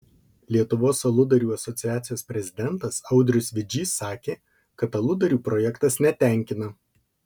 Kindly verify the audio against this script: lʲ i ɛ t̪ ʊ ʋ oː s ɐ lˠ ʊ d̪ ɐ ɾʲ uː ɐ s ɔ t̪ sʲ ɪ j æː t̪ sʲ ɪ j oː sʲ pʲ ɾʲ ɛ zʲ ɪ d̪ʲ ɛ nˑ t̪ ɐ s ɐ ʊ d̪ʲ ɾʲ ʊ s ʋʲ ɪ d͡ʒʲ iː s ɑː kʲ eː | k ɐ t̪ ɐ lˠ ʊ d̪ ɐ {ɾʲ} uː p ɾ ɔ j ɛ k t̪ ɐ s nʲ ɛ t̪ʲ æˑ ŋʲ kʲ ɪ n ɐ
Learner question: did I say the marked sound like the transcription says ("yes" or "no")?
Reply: yes